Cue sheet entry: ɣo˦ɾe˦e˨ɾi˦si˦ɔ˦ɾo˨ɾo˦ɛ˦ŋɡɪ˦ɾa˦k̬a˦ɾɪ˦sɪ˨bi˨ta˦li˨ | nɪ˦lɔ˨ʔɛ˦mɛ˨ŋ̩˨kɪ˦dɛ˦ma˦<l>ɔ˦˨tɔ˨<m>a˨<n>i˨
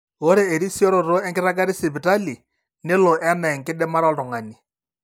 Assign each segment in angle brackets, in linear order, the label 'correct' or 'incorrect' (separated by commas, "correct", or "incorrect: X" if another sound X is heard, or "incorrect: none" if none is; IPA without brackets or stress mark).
incorrect: ɾ, incorrect: ŋ, correct